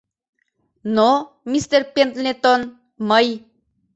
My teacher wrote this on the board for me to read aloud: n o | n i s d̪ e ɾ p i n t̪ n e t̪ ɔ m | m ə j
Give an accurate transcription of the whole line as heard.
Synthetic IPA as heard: n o | m i s t̪ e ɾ p e n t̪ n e t̪ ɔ n | m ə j